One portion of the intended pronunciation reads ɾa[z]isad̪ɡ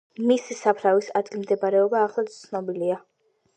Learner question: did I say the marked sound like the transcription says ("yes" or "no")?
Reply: no